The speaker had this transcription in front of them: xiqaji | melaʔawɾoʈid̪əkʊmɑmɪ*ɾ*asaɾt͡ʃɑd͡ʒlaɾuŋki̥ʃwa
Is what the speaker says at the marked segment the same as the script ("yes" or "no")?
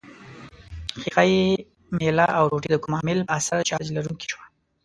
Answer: no